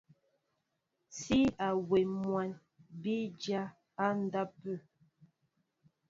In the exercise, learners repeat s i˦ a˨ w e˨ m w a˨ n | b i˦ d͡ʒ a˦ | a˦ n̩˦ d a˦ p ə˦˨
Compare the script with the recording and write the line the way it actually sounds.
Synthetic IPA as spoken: s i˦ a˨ w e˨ m w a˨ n | b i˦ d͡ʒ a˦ | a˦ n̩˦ d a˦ p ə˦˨

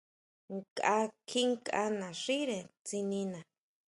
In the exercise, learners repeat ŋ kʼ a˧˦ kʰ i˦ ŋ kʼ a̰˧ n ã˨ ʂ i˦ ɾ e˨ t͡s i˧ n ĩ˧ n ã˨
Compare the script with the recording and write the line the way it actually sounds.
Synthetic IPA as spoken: ŋ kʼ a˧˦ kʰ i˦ ŋ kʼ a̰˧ n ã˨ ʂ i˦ ɾ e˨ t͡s i˧ n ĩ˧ n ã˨

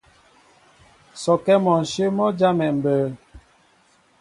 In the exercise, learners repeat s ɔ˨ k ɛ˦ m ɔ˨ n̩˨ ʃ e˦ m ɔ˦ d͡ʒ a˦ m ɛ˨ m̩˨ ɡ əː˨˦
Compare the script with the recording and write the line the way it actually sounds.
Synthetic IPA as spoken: s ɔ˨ k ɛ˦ m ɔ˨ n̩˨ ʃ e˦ m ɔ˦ d͡ʒ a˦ m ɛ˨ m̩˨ b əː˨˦

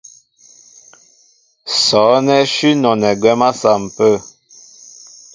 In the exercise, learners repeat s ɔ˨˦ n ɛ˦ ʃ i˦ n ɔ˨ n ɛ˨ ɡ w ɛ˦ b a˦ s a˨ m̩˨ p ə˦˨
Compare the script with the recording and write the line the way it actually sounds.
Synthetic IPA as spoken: s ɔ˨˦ n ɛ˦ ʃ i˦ n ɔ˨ n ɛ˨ ɡ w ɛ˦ m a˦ s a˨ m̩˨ p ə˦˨

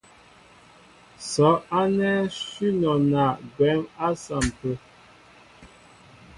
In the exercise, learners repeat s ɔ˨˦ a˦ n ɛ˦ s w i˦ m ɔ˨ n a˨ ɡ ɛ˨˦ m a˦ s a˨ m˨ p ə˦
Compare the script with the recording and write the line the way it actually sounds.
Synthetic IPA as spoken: s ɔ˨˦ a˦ n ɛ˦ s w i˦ n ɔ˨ n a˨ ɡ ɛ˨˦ m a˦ s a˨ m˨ p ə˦

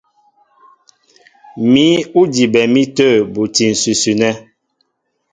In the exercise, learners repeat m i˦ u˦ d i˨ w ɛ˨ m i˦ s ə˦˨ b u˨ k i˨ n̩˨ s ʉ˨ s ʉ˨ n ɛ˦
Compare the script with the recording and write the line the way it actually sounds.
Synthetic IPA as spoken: m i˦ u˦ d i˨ b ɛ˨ m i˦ t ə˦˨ b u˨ t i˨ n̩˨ s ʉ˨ s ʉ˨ n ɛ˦

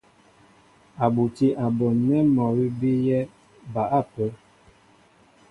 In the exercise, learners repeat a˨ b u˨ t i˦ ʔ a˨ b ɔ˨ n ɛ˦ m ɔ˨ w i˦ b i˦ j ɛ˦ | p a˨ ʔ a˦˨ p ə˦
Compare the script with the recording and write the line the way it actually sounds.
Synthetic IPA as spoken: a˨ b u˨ t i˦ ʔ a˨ b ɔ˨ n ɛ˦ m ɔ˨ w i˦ b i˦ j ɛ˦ | b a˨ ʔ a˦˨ p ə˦

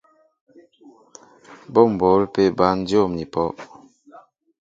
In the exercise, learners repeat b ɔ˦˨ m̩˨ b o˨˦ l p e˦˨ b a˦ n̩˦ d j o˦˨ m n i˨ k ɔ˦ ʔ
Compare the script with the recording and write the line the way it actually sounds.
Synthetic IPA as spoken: b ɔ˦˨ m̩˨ b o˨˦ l p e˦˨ b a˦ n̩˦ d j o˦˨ m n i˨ p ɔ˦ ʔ

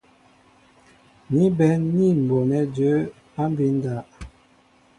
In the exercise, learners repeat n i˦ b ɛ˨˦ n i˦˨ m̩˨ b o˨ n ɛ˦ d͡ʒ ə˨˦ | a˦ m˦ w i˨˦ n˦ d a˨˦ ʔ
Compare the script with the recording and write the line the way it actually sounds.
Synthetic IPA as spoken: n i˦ b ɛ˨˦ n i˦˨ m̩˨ b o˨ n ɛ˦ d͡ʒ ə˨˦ | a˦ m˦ b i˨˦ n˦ d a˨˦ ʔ

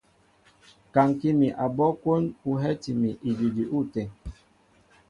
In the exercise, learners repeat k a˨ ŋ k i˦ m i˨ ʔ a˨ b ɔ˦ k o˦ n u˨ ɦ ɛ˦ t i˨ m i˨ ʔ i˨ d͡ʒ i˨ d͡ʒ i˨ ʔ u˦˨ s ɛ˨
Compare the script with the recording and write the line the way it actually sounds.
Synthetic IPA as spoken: k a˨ ŋ k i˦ m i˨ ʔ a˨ b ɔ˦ k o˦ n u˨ ɦ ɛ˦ t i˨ m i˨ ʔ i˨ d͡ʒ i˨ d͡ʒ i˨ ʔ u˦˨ t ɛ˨

